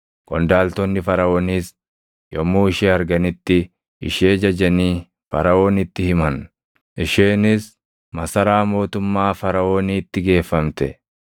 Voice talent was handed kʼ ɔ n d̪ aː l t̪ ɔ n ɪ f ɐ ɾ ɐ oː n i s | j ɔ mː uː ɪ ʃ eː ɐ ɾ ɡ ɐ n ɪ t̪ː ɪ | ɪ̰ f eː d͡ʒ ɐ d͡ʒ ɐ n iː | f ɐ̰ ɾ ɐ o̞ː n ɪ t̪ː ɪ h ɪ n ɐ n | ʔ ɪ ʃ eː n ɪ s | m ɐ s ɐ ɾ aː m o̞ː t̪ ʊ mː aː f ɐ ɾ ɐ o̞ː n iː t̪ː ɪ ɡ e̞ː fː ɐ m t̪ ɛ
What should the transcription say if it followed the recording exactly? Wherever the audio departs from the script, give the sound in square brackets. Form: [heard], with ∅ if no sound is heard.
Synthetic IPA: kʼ ɔ n d̪ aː l t̪ ɔ [nː] ɪ f ɐ ɾ ɐ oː n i s | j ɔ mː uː ɪ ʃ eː ɐ ɾ ɡ ɐ n ɪ t̪ː ɪ | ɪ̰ [ʃ] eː d͡ʒ ɐ d͡ʒ ɐ n iː | f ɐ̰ ɾ ɐ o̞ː n ɪ t̪ː ɪ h ɪ [m] ɐ n | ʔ ɪ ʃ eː n ɪ s | m ɐ s ɐ ɾ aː m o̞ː t̪ ʊ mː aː f ɐ ɾ ɐ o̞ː n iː t̪ː ɪ ɡ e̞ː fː ɐ m t̪ ɛ